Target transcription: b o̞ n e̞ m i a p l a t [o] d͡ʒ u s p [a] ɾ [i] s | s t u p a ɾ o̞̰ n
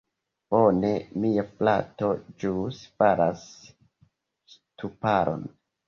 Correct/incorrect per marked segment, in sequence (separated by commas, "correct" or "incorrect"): correct, correct, incorrect